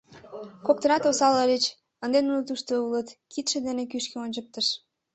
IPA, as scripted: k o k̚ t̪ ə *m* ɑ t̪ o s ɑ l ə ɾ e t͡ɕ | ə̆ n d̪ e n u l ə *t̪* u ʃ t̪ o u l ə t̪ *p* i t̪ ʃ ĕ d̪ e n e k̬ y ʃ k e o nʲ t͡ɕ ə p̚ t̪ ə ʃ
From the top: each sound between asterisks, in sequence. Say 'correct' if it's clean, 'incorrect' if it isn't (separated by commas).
incorrect, correct, incorrect